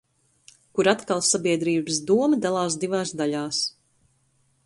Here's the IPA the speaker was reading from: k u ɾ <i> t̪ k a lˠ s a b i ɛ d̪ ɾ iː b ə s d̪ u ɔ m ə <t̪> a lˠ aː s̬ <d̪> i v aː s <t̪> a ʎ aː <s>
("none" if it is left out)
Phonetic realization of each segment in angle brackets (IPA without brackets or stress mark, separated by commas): a, d̪, d̪, d̪, s